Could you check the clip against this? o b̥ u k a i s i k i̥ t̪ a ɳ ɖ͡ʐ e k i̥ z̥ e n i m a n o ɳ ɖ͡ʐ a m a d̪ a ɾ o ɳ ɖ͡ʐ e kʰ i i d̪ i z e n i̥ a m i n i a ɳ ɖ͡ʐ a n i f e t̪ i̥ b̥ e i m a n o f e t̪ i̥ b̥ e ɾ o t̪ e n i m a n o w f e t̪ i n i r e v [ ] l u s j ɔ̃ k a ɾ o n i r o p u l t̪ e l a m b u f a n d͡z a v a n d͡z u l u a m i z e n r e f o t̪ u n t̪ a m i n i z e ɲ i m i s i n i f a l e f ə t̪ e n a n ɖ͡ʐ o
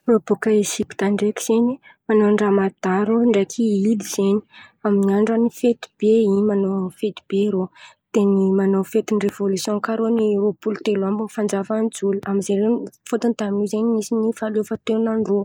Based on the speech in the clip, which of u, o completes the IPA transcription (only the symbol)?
o